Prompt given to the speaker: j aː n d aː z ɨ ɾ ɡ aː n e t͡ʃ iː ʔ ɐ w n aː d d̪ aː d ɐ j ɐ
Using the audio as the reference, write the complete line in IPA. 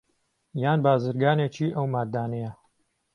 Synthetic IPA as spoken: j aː n b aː z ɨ ɾ ɡ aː n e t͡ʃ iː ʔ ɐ w m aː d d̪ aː n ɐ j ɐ